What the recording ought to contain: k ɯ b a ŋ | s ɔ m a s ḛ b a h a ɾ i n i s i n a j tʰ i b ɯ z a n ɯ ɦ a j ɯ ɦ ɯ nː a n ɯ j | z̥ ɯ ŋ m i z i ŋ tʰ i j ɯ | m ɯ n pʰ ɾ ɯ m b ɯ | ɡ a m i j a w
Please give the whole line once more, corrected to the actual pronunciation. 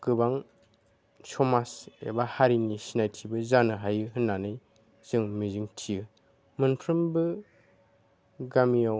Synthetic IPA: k ɯ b a ŋ | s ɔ m a s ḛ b a h a ɾ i n i s i n a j tʰ i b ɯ z a n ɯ ɦ a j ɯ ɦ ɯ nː a n ɯ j | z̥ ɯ ŋ m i z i ŋ tʰ i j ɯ | m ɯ n pʰ ɾ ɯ m b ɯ | ɡ a m i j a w